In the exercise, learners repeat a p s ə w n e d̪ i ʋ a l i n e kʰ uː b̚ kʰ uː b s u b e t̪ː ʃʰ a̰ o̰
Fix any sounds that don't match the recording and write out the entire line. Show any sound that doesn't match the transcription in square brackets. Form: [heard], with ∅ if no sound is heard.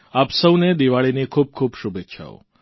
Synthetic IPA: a p s ə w n e d̪ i ʋ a [ɭ] i n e kʰ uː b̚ kʰ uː b [ʃ] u b e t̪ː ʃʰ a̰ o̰

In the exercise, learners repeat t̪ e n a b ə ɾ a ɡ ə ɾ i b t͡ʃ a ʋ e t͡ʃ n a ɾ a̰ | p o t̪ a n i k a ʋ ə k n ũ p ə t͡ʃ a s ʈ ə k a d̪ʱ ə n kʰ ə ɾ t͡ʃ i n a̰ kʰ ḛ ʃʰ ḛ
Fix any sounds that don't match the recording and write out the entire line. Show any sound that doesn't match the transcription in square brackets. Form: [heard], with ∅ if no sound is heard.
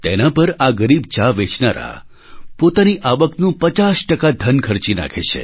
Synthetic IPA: t̪ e n a [p] ə ɾ a ɡ ə ɾ i b t͡ʃ a ʋ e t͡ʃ n a ɾ a̰ | p o t̪ a n i [ʔ] a ʋ ə k n ũ p ə t͡ʃ a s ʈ ə k a d̪ʱ ə n kʰ ə ɾ t͡ʃ i n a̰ kʰ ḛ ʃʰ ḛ

